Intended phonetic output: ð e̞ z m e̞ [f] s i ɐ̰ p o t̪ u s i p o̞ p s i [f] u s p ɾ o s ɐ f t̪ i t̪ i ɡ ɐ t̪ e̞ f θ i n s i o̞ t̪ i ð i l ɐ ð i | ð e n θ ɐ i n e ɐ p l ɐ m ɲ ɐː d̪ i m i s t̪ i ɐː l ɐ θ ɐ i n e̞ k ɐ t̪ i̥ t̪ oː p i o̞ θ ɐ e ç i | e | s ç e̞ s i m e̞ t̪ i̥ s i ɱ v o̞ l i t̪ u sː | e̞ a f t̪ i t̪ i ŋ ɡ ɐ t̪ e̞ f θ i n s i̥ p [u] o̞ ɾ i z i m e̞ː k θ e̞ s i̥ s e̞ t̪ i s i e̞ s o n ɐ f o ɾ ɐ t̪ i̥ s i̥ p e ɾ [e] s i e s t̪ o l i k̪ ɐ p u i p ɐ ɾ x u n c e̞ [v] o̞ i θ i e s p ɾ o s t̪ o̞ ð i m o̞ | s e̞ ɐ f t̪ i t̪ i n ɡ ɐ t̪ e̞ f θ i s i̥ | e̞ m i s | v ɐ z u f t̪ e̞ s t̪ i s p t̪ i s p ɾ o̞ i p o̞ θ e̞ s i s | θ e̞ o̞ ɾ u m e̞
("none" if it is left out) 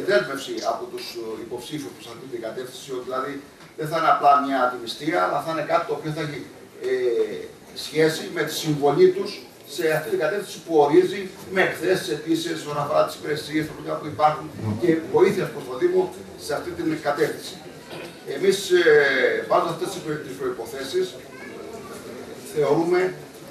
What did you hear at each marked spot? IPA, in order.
f, f, u, e, v

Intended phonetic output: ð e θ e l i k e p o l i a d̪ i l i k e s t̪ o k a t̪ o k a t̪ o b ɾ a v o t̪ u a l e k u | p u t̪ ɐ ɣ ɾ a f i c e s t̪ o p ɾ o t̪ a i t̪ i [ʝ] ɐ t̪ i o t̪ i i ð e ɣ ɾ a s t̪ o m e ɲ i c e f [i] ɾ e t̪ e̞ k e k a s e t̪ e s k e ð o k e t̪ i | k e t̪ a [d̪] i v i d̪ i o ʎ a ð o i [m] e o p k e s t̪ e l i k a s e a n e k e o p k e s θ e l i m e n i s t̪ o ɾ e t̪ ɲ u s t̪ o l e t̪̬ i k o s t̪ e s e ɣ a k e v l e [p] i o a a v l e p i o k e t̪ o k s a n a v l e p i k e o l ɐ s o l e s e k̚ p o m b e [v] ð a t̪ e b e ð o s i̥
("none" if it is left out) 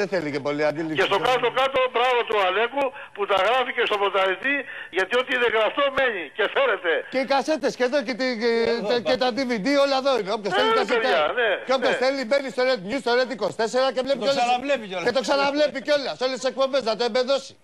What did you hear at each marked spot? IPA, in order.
ʝ, e, d̪, n, p, z

